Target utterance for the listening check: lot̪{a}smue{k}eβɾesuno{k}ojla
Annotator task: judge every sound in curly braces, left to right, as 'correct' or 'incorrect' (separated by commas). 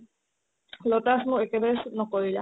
correct, correct, correct